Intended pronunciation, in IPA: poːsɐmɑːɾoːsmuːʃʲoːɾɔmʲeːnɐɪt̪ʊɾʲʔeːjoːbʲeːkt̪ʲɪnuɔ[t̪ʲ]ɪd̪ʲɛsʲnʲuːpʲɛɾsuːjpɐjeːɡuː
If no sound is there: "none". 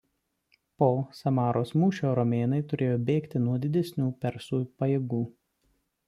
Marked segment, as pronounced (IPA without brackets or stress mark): d̪ʲ